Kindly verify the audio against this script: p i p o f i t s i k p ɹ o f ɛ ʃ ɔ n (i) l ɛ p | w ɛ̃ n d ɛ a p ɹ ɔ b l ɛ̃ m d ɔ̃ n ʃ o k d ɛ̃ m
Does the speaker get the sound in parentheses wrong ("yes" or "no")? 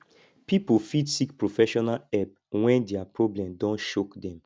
yes